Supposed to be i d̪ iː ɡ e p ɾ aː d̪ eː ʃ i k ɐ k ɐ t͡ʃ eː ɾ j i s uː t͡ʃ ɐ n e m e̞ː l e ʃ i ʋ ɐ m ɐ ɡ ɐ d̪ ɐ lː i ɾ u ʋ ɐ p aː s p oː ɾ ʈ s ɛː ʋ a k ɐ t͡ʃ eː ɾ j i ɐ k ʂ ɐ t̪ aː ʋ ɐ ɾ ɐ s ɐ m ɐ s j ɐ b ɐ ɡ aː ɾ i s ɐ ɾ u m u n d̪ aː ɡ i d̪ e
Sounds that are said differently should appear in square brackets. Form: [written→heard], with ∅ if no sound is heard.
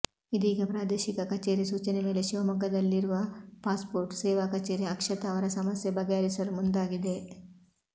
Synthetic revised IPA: i d̪ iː ɡ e p ɾ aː d̪ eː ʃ i k ɐ k ɐ t͡ʃ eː ɾ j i s uː t͡ʃ ɐ n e m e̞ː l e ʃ i ʋ ɐ m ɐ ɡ ɐ d̪ ɐ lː i ɾ u ʋ ɐ p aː s p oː ɾ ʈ s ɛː ʋ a k ɐ t͡ʃ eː ɾ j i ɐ k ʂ ɐ t̪ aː ʋ ɐ ɾ ɐ s ɐ m ɐ s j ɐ b ɐ ɡ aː ɾ i s ɐ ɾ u m u n d̪ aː ɡ i d̪ e